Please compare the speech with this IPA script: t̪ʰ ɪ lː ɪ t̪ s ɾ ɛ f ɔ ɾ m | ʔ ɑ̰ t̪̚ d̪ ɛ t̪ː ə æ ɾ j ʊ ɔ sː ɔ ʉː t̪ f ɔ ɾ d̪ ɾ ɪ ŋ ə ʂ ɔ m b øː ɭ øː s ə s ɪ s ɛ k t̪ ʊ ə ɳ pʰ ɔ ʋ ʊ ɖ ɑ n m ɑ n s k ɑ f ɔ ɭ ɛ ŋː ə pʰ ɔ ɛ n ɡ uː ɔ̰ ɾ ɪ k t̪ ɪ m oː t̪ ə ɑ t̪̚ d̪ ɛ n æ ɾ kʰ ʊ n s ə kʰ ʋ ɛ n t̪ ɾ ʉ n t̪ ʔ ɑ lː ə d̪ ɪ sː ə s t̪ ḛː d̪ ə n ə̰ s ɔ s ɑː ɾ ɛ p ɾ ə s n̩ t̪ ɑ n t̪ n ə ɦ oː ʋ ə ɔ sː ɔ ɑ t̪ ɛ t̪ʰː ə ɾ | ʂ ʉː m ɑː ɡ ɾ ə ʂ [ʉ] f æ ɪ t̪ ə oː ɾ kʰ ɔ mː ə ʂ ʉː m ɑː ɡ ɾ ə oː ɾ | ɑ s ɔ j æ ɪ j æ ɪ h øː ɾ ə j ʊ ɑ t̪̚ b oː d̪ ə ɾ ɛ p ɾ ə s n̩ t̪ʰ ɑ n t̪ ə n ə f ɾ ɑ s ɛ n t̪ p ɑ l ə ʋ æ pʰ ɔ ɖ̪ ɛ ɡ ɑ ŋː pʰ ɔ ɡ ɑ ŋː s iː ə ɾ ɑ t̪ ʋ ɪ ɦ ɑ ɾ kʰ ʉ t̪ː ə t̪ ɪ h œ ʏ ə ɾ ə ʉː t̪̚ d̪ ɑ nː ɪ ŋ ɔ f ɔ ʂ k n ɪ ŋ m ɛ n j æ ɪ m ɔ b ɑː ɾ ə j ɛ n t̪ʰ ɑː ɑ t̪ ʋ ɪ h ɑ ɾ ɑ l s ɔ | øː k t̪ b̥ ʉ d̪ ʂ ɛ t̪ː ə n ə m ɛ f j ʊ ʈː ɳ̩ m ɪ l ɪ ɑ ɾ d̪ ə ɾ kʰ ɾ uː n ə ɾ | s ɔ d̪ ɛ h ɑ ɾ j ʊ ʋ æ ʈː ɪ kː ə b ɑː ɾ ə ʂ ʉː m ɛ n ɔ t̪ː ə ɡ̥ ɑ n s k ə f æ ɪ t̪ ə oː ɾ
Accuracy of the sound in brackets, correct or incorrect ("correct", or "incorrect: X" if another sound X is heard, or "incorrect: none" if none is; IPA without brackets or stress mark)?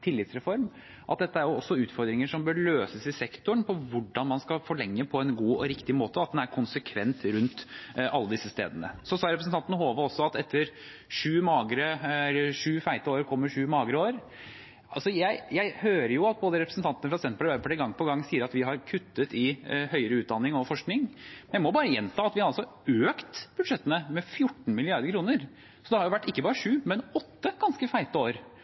incorrect: ʉː